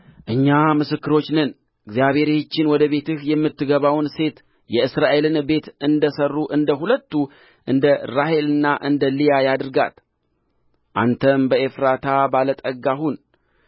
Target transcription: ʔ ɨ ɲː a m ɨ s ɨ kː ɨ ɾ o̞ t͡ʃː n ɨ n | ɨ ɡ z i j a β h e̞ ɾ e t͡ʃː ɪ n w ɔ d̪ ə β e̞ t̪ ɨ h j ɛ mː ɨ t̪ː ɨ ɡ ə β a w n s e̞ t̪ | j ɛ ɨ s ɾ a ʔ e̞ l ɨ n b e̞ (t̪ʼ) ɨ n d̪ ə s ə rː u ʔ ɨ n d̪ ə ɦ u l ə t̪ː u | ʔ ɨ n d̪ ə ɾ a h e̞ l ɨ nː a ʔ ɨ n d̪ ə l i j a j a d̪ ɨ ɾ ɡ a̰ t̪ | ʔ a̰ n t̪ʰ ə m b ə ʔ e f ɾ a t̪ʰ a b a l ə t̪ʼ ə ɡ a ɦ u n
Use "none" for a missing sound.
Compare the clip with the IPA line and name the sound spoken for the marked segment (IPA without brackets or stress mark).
t̪